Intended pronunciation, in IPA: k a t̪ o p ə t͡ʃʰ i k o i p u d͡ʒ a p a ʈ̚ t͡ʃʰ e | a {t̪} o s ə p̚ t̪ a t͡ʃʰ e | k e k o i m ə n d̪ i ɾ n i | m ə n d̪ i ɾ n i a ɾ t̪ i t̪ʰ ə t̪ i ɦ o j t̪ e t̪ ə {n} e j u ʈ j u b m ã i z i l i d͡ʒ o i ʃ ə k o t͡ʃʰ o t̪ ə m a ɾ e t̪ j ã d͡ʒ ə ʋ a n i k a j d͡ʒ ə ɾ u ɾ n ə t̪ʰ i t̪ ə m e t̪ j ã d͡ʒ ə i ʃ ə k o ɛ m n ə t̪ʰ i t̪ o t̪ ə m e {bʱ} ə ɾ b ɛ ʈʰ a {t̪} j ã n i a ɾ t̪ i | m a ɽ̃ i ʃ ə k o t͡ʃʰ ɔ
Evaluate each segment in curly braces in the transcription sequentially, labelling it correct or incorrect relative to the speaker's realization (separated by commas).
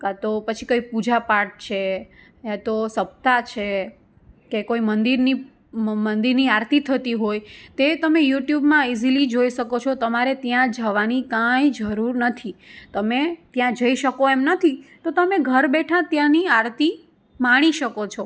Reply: correct, incorrect, incorrect, correct